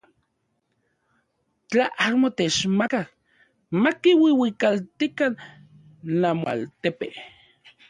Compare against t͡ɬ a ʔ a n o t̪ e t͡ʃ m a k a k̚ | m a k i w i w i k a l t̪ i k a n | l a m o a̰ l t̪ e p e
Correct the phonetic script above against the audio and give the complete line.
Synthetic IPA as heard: t͡ɬ a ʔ a m o t̪ e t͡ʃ m a k a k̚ | m a k i w i w i k a l t̪ i k a n | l a m o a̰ l t̪ e p e